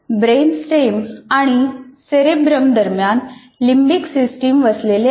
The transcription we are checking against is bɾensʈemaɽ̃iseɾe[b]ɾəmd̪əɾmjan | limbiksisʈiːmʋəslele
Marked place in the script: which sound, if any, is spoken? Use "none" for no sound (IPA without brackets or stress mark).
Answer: b